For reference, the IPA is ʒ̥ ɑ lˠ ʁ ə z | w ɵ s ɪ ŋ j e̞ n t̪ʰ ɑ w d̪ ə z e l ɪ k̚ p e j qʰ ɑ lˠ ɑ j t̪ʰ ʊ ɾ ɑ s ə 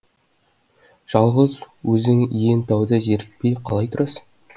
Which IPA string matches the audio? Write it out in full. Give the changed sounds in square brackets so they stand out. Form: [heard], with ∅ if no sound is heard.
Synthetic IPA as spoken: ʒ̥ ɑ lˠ ʁ ə z | w ɵ [z] ɪ ŋ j e̞ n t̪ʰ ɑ w d̪ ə [ʒ] e [ɾ] ɪ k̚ p e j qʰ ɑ lˠ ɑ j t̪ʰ ʊ ɾ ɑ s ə